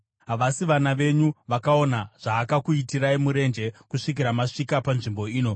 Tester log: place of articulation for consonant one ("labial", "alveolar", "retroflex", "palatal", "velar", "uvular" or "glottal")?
glottal